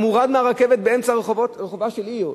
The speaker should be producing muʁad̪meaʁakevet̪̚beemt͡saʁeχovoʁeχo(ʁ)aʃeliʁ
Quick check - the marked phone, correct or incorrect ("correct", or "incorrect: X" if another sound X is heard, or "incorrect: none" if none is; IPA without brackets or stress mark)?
incorrect: v